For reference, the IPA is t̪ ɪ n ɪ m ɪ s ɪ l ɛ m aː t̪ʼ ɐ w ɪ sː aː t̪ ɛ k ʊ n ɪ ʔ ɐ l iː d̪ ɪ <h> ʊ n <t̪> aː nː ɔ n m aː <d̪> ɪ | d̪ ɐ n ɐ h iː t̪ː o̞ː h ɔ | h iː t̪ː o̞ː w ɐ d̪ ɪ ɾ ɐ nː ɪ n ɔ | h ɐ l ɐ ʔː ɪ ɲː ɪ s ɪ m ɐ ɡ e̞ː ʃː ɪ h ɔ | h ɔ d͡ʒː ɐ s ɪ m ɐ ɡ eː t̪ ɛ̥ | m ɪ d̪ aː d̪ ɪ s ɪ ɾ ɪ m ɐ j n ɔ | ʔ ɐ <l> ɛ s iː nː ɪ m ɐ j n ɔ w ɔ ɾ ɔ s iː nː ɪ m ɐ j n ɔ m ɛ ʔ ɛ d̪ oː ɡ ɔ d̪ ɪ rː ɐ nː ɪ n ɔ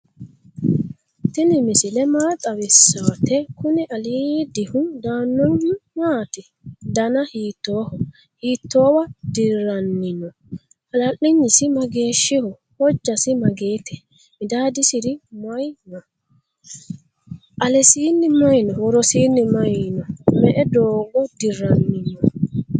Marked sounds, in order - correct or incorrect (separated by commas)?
correct, incorrect, incorrect, correct